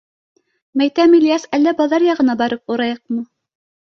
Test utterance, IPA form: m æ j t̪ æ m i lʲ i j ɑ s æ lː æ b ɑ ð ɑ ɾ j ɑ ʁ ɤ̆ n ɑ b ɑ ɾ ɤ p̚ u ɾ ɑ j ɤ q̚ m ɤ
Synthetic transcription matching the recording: m æ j t̪ æ m i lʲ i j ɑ s æ lː æ b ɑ ð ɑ ɾ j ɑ ʁ ɤ̆ n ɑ b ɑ ɾ ɤ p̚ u ɾ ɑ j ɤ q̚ m ɤ